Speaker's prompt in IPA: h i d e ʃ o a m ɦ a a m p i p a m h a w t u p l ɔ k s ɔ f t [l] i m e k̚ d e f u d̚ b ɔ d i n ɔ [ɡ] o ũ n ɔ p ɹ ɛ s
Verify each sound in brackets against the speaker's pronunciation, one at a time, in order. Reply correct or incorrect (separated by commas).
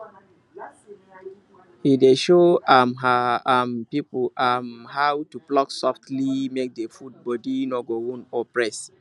correct, correct